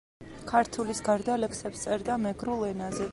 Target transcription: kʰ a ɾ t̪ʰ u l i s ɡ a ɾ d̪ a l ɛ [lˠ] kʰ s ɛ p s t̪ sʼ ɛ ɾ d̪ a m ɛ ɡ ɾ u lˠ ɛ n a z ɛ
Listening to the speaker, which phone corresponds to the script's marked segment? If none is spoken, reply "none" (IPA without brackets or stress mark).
none